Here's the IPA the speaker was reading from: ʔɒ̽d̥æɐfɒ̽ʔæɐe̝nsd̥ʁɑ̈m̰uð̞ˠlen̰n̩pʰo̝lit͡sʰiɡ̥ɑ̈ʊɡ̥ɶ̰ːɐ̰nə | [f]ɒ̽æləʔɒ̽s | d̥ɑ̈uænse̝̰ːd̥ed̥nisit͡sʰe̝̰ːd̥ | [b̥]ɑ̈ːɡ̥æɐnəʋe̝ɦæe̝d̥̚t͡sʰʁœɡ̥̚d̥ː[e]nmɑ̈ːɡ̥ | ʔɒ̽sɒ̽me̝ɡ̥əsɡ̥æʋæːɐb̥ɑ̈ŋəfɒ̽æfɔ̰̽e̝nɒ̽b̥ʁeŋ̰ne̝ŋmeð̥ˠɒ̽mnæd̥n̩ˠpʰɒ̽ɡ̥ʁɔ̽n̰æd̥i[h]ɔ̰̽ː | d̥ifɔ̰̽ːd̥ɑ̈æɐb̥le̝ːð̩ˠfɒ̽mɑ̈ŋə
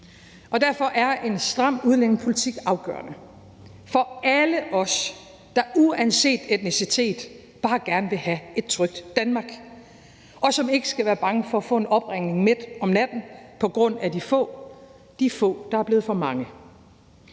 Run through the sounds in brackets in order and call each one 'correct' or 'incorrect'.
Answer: correct, correct, incorrect, incorrect

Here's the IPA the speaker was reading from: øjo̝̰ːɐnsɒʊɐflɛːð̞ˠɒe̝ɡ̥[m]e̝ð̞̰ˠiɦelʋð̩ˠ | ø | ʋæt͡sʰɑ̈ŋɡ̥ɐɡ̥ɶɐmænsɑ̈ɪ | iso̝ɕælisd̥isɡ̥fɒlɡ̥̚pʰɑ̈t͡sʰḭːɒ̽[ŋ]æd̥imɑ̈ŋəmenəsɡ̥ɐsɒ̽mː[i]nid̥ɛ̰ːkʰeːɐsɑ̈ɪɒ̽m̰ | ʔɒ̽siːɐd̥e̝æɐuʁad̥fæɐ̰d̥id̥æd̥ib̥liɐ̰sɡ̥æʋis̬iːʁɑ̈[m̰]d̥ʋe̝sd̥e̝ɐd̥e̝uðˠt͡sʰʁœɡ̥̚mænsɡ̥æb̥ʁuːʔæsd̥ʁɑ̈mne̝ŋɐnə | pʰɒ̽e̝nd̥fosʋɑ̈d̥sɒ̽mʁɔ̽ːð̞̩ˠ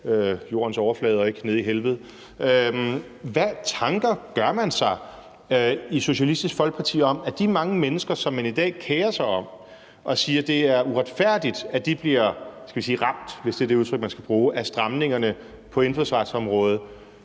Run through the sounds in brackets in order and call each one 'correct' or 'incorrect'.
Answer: incorrect, incorrect, incorrect, correct

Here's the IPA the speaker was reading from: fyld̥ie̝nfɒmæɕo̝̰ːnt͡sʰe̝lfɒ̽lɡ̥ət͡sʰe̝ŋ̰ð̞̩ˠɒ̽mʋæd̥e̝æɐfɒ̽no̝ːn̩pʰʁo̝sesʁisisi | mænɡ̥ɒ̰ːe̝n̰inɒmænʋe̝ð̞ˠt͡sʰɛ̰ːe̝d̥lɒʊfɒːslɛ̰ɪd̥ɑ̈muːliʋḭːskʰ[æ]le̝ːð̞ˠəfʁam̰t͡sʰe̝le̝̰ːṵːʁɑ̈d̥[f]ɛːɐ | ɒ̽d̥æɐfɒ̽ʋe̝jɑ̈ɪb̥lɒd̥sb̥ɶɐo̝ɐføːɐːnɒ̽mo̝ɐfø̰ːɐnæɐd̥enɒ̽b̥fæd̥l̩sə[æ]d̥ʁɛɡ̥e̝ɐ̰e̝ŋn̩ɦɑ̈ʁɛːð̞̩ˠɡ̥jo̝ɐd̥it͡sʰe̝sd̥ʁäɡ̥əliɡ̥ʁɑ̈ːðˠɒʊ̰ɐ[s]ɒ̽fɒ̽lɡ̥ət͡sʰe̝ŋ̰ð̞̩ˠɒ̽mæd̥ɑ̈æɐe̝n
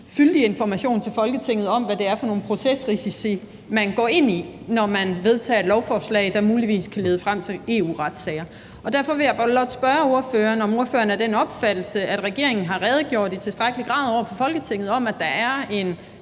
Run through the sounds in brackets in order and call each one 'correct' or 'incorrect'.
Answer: correct, incorrect, correct, incorrect

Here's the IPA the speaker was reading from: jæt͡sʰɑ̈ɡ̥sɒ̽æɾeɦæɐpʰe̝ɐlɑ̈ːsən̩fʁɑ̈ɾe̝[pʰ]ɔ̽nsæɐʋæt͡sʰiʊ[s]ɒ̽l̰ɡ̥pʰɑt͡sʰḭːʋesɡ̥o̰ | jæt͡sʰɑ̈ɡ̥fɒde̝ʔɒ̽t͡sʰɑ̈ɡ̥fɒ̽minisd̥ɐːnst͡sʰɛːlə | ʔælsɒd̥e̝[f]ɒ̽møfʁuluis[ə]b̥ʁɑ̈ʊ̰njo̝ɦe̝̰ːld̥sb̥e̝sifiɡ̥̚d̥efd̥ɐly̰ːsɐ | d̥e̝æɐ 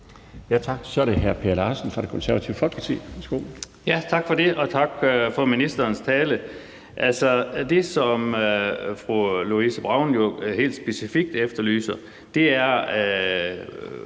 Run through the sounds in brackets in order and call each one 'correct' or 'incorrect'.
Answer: incorrect, incorrect, incorrect, correct

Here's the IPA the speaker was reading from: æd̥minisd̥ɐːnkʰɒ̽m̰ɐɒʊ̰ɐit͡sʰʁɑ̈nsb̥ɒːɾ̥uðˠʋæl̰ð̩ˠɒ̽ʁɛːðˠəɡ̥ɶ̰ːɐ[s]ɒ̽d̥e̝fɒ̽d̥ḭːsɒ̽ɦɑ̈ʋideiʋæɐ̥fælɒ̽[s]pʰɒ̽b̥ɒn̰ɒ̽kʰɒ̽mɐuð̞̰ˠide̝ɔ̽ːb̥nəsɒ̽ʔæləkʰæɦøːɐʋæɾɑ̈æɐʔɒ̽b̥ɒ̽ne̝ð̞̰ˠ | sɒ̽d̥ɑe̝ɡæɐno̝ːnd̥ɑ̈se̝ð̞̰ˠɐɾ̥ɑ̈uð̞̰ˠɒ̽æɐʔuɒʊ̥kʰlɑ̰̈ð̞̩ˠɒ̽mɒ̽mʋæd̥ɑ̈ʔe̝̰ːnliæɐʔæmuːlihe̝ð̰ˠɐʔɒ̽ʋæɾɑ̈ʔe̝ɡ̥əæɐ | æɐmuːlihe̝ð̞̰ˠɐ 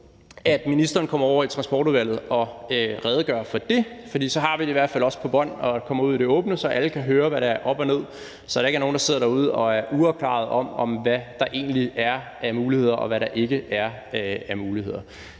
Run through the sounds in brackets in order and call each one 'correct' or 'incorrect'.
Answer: incorrect, correct

